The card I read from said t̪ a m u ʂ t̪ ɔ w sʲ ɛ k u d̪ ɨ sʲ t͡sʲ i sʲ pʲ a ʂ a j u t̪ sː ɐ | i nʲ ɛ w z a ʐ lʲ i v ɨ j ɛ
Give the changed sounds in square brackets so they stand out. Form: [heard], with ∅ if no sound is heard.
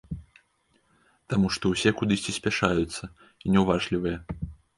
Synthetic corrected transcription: t̪ a m u ʂ t̪ ɔ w sʲ ɛ k u d̪ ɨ sʲ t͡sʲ i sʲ pʲ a ʂ a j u t̪ sː ɐ | i nʲ ɛ w [v] a ʐ lʲ i v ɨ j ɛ